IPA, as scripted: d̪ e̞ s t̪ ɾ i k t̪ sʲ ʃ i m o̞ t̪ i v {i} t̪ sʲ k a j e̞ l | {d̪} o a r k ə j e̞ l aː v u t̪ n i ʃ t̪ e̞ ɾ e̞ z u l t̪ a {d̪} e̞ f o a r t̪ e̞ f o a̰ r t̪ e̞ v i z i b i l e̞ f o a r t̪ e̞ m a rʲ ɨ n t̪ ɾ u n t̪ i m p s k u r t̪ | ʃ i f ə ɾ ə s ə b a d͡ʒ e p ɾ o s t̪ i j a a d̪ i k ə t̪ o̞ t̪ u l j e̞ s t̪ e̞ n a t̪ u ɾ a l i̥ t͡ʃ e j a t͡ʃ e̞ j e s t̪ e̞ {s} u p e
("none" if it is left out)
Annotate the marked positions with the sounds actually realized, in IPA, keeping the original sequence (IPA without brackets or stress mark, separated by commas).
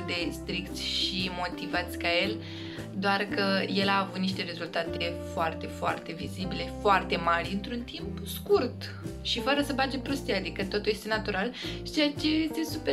a, d̪, t̪, s